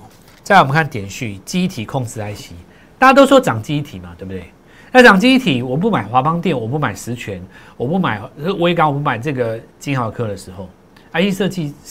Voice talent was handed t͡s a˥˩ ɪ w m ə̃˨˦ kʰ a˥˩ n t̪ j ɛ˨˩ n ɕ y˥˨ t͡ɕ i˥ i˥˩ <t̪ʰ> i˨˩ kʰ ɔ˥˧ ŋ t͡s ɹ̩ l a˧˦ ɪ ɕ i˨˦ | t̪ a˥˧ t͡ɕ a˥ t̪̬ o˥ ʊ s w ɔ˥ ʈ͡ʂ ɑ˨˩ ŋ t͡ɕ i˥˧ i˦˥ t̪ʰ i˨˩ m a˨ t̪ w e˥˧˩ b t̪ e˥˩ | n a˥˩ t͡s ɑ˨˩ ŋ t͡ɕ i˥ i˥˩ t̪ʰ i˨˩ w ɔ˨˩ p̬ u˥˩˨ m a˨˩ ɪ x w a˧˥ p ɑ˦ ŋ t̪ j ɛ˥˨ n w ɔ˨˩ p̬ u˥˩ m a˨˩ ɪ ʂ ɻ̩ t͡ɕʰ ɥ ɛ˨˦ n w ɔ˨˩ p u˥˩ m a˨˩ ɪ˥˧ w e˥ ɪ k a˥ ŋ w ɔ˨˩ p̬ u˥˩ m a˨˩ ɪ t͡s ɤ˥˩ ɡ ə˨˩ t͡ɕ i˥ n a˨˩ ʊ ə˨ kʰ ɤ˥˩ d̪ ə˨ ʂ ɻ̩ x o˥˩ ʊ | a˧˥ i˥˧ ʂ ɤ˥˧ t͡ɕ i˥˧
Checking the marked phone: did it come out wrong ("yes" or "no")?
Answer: no